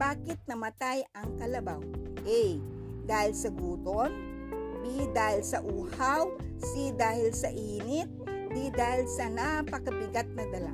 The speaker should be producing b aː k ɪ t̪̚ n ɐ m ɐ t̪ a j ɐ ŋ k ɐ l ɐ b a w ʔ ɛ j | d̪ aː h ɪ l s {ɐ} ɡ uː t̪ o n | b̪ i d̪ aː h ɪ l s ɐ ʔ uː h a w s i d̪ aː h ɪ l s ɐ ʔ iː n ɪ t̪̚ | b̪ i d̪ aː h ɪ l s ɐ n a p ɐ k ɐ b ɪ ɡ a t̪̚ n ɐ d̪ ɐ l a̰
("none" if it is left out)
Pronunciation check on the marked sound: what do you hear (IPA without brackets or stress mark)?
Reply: ɐ